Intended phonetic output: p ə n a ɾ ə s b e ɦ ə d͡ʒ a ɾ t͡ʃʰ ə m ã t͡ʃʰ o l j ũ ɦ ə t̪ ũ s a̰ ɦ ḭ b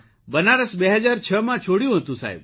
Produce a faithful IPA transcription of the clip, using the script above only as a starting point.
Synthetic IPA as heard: b ə n a ɾ ə s b e ɦ ə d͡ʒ a ɾ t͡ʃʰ ə m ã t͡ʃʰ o ɽ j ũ ɦ ə t̪ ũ s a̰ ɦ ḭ b